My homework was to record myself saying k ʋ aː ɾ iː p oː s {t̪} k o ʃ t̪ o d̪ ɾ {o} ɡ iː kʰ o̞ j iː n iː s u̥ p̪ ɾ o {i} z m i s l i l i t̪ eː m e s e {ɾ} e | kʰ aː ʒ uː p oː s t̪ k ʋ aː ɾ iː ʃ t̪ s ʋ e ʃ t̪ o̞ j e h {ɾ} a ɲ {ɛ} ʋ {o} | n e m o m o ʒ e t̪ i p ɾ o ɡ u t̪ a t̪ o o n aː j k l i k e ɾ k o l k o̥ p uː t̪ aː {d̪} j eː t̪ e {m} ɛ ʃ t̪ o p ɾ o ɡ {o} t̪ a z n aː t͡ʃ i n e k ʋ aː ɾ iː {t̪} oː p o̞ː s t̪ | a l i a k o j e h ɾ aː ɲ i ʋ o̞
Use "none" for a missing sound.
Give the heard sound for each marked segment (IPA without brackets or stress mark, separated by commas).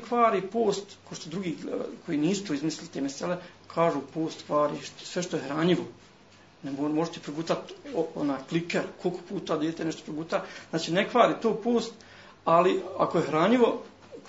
t̪, u, i, l, ɾ, i, o, d̪, n, u, t̪